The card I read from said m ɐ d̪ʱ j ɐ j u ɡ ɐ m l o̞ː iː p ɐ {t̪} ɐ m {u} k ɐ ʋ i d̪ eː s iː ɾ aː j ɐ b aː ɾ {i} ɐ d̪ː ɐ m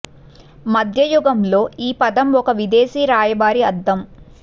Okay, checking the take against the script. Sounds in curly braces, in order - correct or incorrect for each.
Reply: incorrect: d̪, incorrect: ɔ, correct

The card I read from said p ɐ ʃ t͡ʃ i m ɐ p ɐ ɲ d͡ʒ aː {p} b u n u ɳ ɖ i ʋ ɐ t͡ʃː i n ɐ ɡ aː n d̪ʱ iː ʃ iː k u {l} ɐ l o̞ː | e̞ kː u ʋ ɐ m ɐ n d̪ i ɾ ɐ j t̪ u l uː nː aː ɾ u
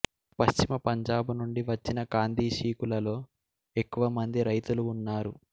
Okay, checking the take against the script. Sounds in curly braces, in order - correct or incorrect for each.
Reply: incorrect: none, correct

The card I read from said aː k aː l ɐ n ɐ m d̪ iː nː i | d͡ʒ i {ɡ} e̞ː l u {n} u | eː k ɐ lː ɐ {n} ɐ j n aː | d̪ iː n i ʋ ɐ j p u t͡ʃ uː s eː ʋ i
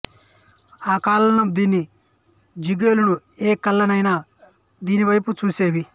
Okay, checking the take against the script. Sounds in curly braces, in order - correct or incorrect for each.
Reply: correct, correct, correct

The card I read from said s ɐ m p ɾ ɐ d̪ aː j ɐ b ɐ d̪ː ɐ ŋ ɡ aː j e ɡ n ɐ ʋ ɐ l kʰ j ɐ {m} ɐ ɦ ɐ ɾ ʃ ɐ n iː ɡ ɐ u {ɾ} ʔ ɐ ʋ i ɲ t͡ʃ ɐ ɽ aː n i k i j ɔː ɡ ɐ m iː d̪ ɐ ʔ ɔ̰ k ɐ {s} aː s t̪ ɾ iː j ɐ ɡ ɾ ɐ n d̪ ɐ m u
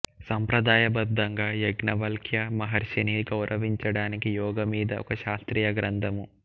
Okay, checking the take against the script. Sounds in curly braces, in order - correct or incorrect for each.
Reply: correct, correct, incorrect: ʃ

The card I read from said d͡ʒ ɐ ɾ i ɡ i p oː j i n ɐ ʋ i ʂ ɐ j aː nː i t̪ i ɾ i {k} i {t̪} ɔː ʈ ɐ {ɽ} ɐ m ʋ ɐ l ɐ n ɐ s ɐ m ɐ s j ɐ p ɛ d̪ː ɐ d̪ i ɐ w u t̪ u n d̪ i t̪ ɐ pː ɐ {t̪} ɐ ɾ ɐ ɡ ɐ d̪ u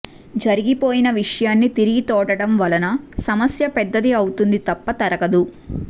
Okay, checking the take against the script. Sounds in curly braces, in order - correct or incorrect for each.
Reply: incorrect: ɡ, correct, correct, correct

